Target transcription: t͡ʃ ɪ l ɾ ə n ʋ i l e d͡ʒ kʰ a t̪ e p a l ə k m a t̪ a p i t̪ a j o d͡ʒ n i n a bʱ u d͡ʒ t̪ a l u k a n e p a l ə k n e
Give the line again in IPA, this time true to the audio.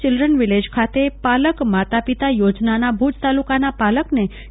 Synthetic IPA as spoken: t͡ʃ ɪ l ɾ ə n ʋ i l e d͡ʒ kʰ a t̪ e p a l ə k m a t̪ a p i t̪ a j o d͡ʒ n a n a bʱ u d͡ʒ t̪ a l u k a n a p a l ə k n e